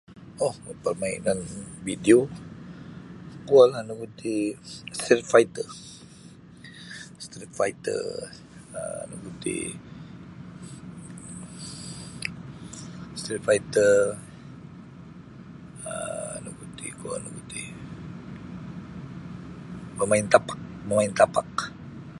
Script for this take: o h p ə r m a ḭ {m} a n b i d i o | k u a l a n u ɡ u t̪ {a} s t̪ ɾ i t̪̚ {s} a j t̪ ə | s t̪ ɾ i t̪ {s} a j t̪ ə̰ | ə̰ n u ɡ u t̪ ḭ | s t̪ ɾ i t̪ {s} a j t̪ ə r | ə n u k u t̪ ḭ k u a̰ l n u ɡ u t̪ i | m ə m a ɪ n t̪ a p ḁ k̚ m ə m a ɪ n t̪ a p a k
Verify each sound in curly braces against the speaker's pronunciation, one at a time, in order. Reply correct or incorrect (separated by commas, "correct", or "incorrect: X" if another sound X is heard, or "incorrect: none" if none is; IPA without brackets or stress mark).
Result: incorrect: n, incorrect: i, incorrect: f, incorrect: f, incorrect: f